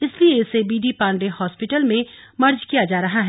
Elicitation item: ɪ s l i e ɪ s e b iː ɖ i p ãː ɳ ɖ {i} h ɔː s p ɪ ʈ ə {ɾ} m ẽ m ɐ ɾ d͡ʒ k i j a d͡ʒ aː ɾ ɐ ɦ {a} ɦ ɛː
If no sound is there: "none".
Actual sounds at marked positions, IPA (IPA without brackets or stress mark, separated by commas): e, l, a